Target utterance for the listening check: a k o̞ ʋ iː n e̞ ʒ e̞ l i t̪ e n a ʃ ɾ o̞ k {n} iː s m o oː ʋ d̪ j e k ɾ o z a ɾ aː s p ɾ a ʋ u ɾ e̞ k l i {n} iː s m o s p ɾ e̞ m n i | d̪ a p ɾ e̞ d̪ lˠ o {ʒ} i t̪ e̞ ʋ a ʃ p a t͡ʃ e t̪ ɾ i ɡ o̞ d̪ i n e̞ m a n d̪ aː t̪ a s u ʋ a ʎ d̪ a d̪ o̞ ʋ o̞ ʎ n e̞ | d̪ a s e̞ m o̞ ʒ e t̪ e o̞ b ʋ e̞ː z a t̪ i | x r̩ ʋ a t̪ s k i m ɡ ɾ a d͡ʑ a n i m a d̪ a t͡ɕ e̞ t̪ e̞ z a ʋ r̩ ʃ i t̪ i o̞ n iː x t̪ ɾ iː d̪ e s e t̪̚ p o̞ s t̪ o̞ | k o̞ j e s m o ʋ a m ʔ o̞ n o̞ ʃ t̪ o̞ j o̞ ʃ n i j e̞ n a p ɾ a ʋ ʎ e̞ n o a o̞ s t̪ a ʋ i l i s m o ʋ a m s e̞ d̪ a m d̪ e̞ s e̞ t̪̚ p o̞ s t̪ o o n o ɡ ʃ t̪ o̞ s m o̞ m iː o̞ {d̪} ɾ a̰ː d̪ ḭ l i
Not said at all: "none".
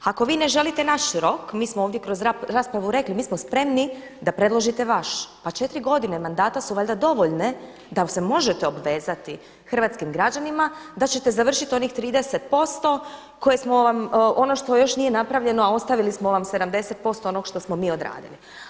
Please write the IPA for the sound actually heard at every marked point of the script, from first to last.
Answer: m, m, ʒ, d̪

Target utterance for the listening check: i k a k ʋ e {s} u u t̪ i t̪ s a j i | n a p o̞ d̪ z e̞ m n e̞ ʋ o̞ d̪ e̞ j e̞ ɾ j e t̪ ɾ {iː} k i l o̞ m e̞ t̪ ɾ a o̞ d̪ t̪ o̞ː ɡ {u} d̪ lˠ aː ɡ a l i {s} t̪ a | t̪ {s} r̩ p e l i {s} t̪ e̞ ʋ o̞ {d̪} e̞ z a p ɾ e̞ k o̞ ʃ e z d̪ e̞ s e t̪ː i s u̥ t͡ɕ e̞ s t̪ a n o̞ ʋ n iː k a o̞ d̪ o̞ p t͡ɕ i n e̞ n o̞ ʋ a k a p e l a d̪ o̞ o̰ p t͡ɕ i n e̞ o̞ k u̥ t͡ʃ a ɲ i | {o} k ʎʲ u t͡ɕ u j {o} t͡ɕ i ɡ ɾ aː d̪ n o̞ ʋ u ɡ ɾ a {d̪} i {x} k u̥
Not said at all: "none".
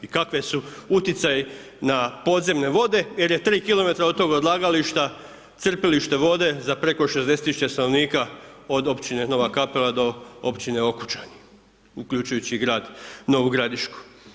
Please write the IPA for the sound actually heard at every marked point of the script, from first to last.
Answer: s, iː, o, ʃ, s, ʃ, d̪, u, u, d̪, ʃ

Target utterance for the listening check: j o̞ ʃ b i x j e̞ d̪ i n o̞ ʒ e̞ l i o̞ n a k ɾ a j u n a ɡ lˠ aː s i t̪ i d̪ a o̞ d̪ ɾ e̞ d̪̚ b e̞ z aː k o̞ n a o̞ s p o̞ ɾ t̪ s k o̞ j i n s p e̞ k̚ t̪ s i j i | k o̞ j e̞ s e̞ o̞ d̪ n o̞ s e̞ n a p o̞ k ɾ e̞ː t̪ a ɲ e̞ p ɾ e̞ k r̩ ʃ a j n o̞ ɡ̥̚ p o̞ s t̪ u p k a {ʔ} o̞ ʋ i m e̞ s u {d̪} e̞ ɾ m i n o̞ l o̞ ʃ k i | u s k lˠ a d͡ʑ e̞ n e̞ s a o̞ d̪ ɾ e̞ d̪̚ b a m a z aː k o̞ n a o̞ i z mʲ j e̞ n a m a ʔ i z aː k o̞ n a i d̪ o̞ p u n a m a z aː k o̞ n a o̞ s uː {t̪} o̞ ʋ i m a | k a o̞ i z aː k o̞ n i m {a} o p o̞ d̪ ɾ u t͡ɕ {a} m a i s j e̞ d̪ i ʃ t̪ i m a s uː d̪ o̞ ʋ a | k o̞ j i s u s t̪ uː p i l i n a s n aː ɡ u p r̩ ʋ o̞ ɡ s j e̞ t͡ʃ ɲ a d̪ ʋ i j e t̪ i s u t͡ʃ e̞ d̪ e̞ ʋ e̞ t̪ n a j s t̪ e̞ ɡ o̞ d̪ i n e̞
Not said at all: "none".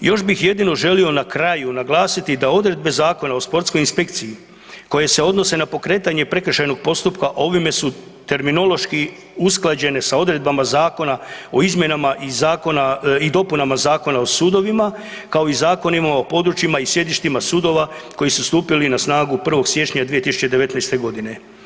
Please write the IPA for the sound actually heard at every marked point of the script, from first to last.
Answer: ʔ, t̪, d̪, a, i

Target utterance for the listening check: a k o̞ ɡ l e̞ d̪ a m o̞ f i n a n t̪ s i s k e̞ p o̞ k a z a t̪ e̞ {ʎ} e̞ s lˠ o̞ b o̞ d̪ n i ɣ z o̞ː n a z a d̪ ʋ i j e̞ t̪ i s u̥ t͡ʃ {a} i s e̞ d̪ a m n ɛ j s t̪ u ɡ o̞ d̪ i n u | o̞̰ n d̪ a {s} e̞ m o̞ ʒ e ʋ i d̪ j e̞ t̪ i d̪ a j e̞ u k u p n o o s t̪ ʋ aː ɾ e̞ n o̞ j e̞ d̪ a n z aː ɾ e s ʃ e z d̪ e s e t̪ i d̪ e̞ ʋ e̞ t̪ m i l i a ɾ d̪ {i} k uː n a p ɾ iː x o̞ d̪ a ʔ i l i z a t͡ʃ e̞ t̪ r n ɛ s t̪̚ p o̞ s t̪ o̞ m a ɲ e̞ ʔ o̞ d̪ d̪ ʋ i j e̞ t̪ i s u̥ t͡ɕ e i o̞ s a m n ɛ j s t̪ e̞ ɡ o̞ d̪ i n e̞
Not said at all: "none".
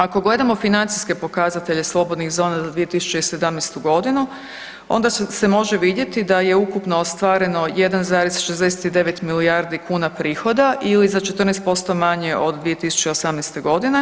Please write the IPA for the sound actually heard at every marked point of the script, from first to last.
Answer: ʎ, e, s, i

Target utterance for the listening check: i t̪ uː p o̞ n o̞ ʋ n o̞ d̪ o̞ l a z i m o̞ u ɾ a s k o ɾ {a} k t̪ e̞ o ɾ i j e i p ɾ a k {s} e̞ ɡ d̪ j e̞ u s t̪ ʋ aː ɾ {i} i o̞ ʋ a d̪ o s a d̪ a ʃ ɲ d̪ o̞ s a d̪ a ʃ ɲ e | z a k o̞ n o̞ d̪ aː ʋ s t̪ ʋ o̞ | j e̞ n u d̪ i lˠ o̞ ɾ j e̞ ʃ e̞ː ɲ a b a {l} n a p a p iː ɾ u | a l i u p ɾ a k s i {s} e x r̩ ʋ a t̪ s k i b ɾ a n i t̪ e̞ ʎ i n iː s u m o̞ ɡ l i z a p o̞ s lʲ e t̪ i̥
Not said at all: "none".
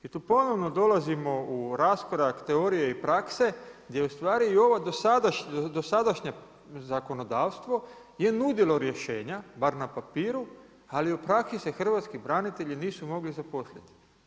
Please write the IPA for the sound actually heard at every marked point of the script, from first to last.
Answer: a, s, i, ɾ, s

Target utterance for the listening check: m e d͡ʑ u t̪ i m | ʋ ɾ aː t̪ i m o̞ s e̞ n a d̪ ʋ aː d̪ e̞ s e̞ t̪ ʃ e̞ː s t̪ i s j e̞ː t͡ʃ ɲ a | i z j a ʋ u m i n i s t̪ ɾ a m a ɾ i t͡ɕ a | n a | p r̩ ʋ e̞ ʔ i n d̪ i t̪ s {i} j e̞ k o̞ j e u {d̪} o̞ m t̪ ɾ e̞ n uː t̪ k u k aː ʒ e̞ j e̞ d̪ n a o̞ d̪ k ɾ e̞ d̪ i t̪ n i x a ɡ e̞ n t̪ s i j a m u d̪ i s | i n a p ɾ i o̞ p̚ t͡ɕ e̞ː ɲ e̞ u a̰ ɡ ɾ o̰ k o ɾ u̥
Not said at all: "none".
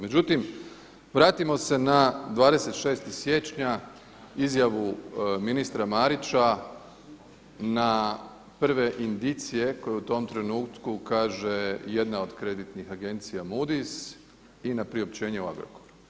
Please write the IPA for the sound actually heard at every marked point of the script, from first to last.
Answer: i, t̪

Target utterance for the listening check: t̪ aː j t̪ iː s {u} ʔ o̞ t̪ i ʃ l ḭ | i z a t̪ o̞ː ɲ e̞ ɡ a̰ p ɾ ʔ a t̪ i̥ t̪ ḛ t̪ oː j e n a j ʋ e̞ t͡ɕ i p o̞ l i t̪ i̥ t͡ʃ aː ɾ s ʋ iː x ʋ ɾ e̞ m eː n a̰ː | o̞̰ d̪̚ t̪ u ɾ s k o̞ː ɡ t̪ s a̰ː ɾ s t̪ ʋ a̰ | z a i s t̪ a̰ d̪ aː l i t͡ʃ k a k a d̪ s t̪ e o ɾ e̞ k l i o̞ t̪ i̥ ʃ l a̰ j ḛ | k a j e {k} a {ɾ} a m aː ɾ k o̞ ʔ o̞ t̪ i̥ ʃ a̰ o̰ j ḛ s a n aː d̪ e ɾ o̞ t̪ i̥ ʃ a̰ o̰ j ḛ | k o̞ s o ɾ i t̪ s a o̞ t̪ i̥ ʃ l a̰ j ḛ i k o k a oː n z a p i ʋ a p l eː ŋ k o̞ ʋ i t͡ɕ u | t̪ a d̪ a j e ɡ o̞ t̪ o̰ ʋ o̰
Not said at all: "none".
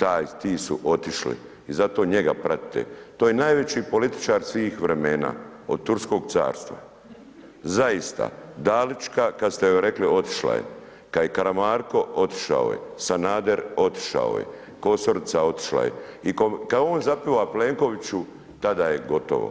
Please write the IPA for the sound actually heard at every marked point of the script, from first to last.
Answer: u, k, ɾ

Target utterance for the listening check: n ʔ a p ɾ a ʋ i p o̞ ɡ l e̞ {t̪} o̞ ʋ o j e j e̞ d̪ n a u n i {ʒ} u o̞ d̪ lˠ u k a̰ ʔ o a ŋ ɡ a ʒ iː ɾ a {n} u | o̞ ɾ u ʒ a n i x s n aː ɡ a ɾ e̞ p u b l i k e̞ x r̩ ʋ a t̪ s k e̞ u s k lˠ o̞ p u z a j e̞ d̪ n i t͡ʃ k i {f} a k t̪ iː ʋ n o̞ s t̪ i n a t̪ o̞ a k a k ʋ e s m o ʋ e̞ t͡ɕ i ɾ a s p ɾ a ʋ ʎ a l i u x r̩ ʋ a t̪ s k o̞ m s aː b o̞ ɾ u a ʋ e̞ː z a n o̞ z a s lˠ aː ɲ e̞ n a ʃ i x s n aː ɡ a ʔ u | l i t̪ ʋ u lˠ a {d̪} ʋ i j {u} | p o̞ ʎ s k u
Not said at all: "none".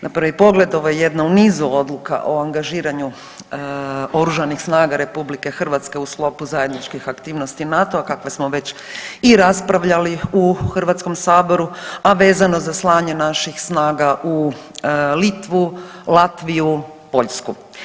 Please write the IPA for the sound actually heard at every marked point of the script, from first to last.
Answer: d̪, z, ɲ, x, t̪, u

